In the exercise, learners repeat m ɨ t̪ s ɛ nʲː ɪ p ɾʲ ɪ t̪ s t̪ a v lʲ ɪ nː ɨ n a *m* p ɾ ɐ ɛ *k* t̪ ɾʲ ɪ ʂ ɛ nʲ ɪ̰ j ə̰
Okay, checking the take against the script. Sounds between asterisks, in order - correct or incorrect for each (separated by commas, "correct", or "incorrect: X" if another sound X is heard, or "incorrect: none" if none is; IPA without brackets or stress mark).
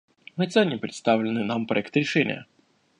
correct, correct